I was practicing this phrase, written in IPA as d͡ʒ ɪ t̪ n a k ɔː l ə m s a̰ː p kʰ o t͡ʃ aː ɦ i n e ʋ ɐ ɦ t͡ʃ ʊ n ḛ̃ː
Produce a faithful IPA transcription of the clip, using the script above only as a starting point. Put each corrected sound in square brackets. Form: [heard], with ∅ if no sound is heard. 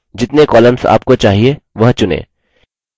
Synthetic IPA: d͡ʒ ɪ t̪ n [e] k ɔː l ə m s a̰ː p [k] o t͡ʃ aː ɦ i [∅] e ʋ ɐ ɦ t͡ʃ ʊ n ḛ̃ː